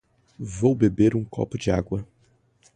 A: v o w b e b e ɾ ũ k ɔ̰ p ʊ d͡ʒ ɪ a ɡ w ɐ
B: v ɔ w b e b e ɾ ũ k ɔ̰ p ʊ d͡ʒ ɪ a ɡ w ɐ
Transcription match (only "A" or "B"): A